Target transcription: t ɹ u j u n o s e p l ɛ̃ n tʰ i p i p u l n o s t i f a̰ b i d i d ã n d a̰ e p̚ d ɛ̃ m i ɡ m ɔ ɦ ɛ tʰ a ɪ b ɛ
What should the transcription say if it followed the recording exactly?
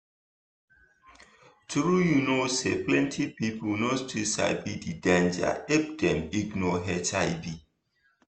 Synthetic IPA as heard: t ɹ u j u n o s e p l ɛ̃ n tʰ i p i p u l n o s t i s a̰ b i d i d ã n d͡ʒ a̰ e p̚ d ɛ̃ m i ɡ n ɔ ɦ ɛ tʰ a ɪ b i